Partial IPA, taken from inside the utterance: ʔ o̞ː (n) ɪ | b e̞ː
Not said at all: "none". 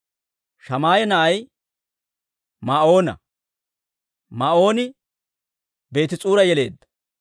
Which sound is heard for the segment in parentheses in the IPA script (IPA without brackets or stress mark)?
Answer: n